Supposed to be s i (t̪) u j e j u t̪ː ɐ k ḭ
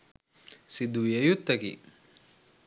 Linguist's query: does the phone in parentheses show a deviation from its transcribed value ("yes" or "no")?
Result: yes